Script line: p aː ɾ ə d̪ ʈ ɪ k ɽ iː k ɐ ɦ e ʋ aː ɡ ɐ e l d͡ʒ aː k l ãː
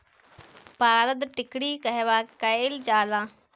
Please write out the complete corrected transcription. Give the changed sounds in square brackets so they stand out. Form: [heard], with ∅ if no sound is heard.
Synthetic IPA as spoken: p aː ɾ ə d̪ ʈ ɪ k ɽ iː k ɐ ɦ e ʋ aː [k] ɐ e l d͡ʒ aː [∅] l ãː